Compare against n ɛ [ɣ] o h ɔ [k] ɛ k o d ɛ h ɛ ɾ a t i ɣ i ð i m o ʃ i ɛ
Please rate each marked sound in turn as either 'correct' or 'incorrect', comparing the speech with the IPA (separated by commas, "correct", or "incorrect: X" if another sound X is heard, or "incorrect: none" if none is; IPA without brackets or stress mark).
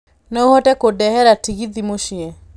incorrect: none, incorrect: t